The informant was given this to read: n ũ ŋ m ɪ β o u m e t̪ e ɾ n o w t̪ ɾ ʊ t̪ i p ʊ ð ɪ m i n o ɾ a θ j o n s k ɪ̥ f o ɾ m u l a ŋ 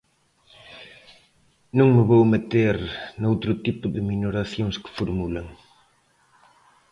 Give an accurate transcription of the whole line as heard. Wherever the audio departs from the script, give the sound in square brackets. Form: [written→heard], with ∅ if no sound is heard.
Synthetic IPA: n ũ ŋ m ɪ β o [u→w] m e t̪ e ɾ n o w t̪ ɾ ʊ t̪ i p ʊ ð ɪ m i n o ɾ a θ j o [n→ŋ] s k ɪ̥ f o ɾ m u l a ŋ